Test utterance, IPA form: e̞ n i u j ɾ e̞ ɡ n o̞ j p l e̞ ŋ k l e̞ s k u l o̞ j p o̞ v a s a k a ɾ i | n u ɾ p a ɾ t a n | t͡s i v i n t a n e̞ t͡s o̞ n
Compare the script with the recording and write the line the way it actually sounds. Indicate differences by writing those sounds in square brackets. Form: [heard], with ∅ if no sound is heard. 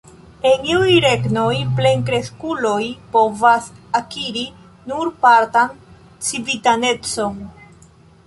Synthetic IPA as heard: e̞ n i u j ɾ e̞ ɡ n o̞ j p l e̞ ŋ k [ɾ] e̞ s k u l o̞ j p o̞ v a s a k [i] ɾ i | n u ɾ p a ɾ t a n | t͡s i v i [∅] t a n e̞ t͡s o̞ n